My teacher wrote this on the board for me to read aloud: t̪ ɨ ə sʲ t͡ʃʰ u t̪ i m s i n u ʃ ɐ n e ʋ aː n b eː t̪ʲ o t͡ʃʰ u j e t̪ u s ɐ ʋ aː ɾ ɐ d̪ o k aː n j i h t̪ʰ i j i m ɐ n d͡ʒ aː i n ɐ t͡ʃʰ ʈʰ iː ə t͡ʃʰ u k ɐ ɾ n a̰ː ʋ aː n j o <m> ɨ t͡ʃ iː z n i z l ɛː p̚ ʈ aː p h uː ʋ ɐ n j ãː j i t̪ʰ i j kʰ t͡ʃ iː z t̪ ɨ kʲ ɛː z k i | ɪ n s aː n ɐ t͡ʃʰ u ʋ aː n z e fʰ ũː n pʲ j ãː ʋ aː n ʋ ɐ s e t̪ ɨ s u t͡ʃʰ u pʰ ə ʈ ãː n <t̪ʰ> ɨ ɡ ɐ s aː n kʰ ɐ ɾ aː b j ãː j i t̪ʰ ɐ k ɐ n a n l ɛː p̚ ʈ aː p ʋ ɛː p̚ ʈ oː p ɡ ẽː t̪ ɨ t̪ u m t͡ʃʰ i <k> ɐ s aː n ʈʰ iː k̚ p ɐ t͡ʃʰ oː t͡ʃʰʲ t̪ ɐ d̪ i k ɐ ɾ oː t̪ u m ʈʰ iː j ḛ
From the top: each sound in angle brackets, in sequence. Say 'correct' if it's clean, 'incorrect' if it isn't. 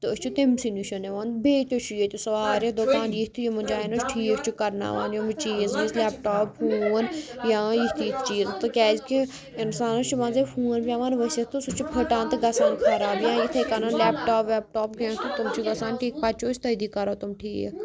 correct, incorrect: t̪, incorrect: ɡ

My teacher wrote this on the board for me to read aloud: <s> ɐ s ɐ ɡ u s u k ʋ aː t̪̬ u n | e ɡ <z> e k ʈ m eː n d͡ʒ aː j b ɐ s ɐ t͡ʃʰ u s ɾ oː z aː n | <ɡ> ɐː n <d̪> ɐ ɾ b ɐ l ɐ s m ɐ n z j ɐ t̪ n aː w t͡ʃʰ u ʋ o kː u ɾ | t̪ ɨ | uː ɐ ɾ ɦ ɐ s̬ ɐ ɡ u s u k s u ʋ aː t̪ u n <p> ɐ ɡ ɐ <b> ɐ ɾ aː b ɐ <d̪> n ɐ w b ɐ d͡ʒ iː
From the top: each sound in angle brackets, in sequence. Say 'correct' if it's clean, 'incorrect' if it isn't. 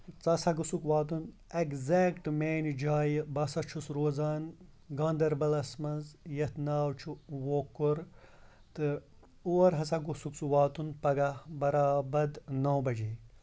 incorrect: t͡s, correct, correct, correct, correct, correct, correct

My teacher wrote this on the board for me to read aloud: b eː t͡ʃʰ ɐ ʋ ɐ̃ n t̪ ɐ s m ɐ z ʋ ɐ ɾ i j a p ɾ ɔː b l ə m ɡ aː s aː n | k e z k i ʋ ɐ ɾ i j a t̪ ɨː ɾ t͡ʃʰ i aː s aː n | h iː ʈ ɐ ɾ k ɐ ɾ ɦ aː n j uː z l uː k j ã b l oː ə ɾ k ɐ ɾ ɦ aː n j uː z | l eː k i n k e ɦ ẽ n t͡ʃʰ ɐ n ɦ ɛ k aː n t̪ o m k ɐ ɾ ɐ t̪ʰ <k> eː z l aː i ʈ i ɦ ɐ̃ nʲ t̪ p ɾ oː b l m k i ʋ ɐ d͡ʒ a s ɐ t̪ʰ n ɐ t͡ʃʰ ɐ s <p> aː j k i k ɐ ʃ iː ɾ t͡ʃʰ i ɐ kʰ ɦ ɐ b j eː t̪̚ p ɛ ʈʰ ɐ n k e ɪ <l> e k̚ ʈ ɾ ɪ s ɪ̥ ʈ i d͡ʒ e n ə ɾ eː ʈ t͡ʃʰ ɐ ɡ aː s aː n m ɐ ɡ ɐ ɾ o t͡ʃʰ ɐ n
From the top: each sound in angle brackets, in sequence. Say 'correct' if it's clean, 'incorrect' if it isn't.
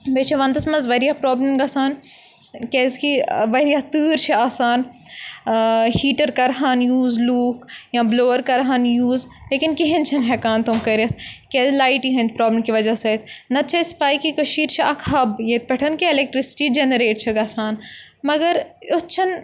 correct, correct, correct

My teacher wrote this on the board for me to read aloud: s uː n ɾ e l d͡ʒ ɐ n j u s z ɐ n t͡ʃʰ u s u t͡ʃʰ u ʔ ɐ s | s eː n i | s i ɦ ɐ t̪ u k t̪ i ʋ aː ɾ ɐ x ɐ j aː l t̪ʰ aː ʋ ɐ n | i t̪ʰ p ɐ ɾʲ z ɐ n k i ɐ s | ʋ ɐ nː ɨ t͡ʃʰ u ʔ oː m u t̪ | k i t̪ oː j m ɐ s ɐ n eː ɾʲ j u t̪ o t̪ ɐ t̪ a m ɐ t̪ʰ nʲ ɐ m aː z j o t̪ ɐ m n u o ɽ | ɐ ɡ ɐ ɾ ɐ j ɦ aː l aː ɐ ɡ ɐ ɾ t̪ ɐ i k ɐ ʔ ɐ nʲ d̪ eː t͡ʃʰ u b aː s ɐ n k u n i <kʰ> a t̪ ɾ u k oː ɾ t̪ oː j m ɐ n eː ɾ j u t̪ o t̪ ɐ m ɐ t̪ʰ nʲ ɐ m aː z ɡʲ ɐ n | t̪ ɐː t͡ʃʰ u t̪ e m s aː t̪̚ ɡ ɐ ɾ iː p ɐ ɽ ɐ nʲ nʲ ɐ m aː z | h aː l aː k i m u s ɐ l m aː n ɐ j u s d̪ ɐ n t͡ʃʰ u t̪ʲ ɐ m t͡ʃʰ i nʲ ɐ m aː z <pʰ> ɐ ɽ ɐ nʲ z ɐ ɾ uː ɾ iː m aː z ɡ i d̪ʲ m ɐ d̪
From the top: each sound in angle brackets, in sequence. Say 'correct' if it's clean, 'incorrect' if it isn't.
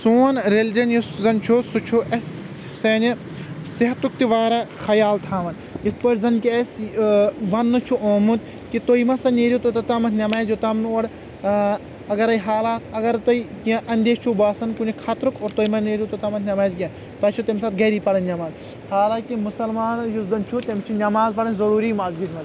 correct, incorrect: p

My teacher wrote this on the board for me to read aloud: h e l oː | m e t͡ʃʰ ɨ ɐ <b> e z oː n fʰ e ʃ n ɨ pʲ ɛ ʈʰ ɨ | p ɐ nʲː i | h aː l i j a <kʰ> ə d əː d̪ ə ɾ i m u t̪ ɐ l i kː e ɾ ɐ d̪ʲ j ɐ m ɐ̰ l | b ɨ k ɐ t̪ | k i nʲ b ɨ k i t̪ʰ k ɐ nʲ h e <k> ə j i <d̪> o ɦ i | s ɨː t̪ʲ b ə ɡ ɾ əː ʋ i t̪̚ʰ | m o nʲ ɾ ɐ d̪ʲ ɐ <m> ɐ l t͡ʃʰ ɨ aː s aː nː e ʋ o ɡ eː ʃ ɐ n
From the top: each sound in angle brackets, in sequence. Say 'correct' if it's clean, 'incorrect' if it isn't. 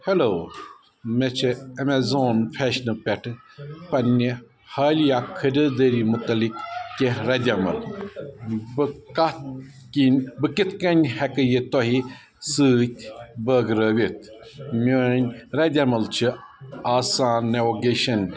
incorrect: m, correct, correct, incorrect: t̪, correct

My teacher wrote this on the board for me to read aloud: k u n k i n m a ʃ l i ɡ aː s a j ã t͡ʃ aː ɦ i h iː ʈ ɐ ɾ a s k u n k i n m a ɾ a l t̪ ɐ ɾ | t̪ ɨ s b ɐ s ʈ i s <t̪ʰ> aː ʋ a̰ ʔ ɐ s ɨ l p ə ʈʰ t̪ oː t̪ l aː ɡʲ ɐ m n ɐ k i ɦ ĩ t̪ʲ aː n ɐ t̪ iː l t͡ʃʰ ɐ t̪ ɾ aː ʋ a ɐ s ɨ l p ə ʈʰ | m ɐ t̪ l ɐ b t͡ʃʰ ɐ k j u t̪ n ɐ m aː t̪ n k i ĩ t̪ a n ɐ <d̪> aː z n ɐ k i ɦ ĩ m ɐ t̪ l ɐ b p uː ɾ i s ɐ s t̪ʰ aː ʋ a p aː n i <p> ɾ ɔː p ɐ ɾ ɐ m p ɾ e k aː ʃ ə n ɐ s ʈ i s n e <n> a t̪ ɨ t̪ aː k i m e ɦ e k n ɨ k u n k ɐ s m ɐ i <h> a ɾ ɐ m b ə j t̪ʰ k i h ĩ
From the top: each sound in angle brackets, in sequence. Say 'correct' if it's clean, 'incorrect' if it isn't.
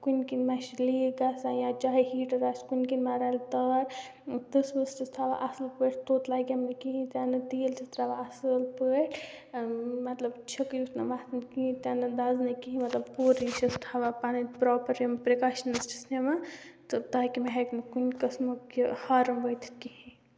correct, correct, correct, incorrect: m, correct

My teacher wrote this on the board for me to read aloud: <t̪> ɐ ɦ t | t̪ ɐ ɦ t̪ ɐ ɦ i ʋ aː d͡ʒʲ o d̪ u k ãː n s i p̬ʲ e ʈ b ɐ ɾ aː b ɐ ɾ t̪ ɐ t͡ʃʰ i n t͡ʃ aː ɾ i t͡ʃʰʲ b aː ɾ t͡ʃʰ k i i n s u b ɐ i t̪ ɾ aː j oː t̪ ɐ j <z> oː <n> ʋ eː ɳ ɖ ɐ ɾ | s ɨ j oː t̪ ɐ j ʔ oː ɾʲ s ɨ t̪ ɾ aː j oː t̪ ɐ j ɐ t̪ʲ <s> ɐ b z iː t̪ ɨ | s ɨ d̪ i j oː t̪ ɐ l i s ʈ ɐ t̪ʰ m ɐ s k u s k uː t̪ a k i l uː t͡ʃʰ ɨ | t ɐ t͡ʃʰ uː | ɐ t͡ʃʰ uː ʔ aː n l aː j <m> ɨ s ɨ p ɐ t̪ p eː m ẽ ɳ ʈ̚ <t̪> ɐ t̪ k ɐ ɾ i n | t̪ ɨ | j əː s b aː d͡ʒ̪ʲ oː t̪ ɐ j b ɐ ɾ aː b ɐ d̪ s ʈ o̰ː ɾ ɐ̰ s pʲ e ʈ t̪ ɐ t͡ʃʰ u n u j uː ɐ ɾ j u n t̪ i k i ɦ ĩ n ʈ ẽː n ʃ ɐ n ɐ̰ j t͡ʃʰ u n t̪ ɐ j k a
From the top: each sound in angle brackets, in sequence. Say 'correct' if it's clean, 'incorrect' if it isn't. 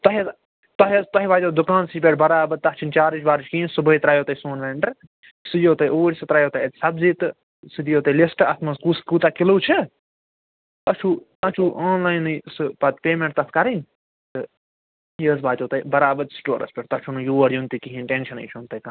correct, incorrect: s, correct, correct, incorrect: n, correct

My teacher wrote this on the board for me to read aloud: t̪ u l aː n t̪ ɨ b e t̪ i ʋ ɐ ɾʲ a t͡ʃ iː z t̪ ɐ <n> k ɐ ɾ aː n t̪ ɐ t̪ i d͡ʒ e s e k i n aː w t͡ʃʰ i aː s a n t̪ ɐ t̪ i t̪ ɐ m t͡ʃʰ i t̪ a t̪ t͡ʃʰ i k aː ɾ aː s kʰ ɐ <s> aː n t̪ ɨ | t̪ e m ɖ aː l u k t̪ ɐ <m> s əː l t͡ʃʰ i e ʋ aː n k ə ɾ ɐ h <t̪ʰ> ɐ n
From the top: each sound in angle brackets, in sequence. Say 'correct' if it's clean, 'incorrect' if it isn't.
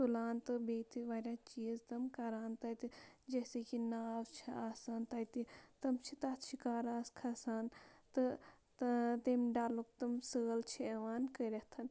incorrect: m, correct, correct, correct

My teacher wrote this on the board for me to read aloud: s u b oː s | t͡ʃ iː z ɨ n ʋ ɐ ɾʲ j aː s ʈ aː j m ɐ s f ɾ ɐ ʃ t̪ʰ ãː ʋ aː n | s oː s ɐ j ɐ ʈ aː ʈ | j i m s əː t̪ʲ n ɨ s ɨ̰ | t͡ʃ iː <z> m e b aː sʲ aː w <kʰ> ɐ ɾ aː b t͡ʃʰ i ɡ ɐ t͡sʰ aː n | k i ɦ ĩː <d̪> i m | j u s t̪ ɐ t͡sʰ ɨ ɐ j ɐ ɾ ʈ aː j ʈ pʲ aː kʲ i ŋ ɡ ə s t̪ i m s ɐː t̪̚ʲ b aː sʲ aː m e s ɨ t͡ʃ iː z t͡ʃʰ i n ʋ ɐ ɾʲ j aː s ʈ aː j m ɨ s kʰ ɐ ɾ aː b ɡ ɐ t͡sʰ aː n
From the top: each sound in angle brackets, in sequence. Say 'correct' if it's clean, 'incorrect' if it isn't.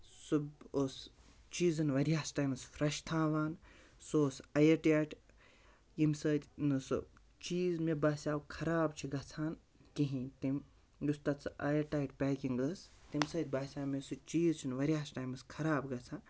correct, correct, incorrect: t̪

